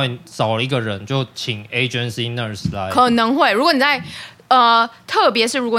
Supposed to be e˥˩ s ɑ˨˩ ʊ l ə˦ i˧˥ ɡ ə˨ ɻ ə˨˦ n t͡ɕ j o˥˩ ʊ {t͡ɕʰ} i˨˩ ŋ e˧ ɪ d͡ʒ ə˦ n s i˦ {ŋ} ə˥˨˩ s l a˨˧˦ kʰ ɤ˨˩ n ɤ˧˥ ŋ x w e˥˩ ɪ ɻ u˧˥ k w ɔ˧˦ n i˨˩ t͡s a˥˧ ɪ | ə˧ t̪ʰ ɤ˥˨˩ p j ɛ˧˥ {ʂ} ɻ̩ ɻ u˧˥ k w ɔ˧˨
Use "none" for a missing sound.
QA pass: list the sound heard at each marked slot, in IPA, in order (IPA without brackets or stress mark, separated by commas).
t͡ɕʰ, n, ʂ